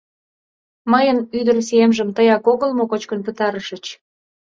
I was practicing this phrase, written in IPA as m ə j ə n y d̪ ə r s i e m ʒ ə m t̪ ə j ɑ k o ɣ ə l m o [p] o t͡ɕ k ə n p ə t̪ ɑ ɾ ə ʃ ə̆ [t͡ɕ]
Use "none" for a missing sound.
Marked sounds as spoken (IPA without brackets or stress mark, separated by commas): k, t͡ɕ